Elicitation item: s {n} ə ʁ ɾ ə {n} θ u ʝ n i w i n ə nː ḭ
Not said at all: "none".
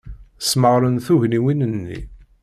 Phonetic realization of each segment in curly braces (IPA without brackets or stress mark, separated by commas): m, n